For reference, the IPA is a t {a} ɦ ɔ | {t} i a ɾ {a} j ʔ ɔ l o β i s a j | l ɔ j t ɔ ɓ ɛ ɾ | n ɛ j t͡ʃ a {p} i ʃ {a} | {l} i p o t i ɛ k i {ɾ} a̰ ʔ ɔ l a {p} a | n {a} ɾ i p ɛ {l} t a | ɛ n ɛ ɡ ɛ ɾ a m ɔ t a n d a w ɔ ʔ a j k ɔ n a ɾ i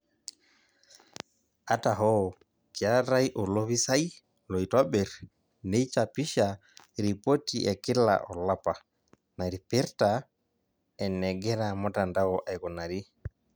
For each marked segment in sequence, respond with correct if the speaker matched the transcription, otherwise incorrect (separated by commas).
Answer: correct, incorrect, correct, correct, correct, incorrect, incorrect, correct, correct, incorrect